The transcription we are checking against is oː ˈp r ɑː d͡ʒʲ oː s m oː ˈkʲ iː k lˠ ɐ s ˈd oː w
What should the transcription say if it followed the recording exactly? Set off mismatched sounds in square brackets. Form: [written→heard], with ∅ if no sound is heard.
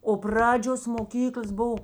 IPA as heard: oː ˈp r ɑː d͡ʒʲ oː s m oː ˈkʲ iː k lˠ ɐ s [ˈd→ˈb] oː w